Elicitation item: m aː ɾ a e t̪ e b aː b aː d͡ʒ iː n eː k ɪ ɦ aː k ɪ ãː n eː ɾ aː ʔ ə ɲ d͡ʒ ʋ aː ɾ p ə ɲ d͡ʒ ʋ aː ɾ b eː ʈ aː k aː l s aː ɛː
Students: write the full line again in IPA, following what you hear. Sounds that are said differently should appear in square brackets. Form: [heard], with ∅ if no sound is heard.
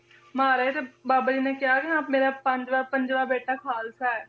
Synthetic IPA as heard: m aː ɾ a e t̪ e b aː b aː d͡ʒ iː n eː k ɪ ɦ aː k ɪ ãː [m] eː ɾ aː [p] ə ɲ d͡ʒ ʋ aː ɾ p ə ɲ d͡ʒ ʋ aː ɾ b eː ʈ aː [kʰ] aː l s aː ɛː